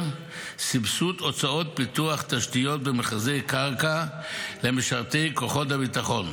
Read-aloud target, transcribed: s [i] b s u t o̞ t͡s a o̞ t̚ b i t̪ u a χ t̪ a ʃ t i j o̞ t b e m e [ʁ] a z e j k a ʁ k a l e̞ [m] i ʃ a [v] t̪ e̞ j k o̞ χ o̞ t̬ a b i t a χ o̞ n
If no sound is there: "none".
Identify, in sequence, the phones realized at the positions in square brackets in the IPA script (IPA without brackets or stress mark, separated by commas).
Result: i, χ, m, ʁ